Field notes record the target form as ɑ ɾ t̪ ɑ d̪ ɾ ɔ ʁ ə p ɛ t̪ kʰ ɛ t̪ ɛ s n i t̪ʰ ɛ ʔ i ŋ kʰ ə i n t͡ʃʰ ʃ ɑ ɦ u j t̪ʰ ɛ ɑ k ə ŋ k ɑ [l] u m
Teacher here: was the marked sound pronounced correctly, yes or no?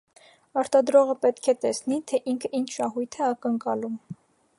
yes